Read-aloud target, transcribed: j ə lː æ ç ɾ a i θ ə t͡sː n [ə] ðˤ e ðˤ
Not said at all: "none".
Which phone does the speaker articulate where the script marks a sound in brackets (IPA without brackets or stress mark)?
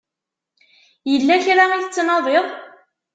ɑ